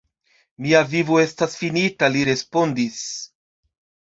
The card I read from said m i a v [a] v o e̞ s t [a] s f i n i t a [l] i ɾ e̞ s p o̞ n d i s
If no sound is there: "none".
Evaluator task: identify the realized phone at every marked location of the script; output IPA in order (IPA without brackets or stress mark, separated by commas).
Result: i, a, l